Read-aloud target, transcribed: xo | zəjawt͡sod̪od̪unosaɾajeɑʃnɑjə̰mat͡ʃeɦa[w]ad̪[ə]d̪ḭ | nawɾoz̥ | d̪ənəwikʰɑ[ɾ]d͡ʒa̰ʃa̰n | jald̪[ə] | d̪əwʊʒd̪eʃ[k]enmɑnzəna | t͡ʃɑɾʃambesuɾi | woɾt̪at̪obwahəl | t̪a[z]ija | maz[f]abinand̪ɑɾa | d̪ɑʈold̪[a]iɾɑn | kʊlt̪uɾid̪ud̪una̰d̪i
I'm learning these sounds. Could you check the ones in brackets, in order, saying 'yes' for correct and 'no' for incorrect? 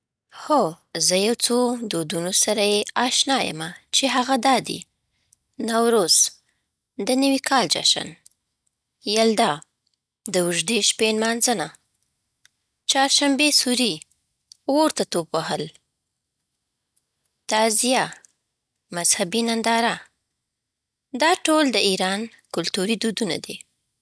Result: no, no, no, no, no, yes, no, no

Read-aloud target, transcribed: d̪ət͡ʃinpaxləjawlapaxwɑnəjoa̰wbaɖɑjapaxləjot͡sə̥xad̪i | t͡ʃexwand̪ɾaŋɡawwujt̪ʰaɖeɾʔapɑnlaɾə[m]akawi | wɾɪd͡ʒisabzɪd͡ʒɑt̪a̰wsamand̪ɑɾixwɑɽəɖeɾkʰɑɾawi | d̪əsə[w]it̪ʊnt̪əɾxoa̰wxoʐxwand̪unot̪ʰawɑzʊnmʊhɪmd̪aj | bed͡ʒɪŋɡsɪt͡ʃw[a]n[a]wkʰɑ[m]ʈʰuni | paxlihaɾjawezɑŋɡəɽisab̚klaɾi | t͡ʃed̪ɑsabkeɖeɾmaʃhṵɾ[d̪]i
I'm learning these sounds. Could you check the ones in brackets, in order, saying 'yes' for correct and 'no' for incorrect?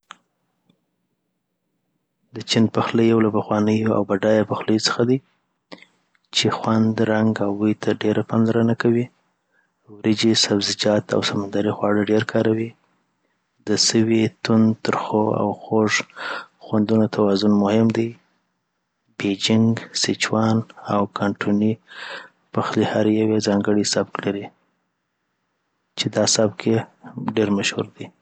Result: no, yes, no, yes, no, yes

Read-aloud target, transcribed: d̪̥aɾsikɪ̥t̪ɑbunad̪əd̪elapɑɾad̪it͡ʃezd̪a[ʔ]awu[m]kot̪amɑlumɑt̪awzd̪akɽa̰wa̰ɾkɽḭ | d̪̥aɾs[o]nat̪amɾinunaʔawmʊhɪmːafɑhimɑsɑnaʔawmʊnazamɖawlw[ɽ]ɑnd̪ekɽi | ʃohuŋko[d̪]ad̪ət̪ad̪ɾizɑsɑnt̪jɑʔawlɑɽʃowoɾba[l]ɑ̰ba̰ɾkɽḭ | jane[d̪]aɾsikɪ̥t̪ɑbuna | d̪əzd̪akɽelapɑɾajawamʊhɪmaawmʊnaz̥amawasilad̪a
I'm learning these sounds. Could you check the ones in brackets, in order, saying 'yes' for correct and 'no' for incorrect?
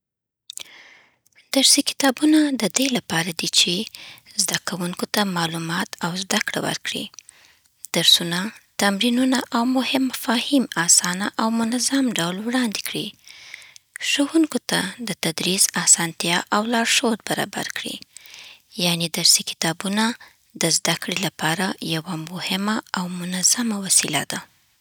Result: no, no, no, yes, no, no, yes

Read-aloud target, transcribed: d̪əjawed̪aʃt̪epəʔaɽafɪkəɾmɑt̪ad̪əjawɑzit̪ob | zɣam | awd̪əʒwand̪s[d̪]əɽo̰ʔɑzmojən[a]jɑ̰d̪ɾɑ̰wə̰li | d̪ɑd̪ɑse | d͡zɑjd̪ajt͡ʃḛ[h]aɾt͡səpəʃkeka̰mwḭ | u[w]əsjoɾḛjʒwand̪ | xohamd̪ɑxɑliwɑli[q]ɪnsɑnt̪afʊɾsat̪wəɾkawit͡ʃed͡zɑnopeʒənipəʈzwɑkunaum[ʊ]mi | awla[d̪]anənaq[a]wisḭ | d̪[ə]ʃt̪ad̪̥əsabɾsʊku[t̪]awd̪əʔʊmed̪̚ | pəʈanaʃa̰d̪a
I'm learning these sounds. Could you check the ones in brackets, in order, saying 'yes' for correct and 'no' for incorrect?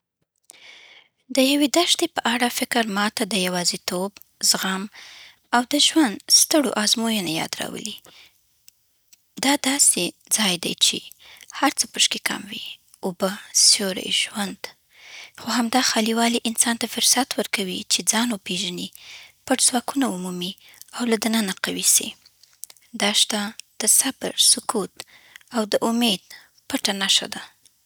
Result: no, yes, yes, no, no, no, yes, yes, no, yes

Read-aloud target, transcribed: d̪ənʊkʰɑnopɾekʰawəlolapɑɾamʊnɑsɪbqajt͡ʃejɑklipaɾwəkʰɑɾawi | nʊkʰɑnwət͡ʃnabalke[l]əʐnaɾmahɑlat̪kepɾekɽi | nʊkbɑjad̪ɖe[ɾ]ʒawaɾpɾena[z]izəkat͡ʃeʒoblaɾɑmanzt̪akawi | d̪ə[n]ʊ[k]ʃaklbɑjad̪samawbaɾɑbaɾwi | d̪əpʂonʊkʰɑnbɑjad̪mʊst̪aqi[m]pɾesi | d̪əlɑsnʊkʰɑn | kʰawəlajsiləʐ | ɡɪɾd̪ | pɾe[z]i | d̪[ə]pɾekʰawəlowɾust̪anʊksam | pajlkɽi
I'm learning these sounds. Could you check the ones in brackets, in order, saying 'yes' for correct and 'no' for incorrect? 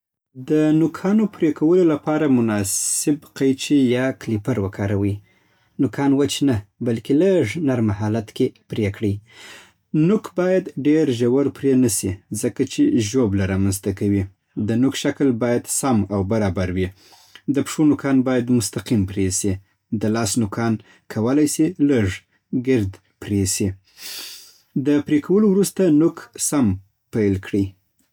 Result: yes, yes, no, yes, yes, yes, no, yes

